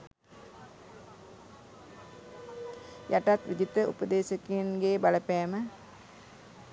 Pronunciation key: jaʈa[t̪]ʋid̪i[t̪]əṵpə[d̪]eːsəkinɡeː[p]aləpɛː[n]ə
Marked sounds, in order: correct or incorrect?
correct, correct, correct, incorrect: b, incorrect: m

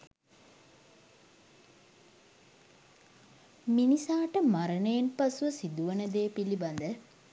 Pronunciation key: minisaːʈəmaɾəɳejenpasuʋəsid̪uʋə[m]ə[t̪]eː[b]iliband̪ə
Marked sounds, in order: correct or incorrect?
incorrect: n, incorrect: d̪, incorrect: p

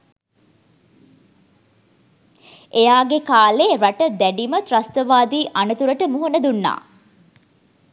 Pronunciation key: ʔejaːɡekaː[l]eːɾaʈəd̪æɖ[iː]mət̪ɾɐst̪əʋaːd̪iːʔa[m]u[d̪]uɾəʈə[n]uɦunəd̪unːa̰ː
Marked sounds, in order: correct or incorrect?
correct, incorrect: i, incorrect: n, incorrect: t̪, incorrect: m

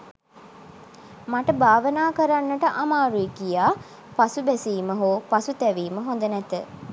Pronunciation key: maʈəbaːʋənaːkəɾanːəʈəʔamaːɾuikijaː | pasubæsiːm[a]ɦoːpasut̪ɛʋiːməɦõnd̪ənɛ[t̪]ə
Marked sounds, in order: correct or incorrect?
incorrect: ə, correct

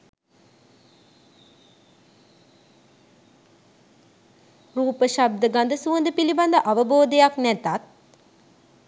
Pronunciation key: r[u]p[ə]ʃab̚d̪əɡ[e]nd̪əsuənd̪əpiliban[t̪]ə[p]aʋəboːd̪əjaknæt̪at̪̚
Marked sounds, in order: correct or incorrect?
incorrect: uː, correct, incorrect: a, incorrect: d̪, incorrect: ʔ

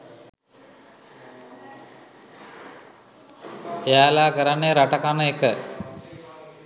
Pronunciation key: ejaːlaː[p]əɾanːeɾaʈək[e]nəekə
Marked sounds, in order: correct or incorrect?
incorrect: k, incorrect: a

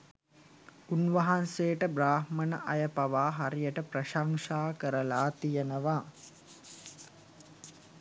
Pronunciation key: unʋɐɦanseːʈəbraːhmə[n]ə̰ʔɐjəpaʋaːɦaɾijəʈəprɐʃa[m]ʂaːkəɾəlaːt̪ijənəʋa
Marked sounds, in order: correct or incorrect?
correct, incorrect: ŋ

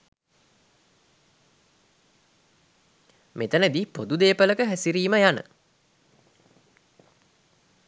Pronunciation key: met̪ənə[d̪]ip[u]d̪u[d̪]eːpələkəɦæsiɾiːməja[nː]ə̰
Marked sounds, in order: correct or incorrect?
correct, incorrect: o, correct, incorrect: n

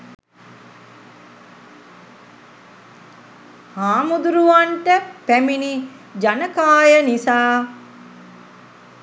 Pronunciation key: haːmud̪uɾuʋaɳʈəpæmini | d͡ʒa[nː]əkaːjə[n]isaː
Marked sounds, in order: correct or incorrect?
incorrect: n, correct

